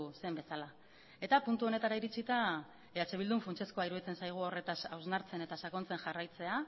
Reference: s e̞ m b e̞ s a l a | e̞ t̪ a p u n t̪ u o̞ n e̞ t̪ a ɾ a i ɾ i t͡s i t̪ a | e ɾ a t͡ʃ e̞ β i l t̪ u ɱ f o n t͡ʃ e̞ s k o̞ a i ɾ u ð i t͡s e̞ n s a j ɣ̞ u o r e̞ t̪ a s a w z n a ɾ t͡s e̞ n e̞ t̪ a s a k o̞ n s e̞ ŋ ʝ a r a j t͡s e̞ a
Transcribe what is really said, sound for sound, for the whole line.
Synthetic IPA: s e̞ m b e̞ s a l a | e̞ t̪ a p u n t̪ u o̞ n e̞ t̪ a ɾ a i ɾ i t͡s i t̪ a | e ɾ a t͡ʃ e̞ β i l d̪ u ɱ f u n t͡ʃ e̞ s k o̞ a i ɾ u ð i t͡s e̞ n s a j ɣ̞ u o r e̞ t̪ a s a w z n a ɾ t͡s e̞ n e̞ t̪ a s a k o̞ n t͡s e̞ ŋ ʝ a r a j t͡s e̞ a